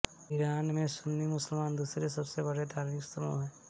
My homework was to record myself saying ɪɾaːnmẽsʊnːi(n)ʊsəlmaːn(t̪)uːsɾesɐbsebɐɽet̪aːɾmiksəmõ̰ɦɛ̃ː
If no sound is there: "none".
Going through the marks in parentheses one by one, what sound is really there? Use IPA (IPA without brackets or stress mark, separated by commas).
m, d̪